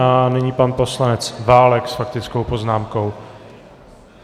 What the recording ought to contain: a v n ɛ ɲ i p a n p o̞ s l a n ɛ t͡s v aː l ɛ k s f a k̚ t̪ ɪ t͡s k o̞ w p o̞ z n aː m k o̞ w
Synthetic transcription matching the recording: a n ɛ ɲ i p a n p o̞ s l a n ɛ t͡s v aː l ɛ k s f a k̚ t̪ ɪ t͡s k o̞ w p o̞ z n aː m k o̞ w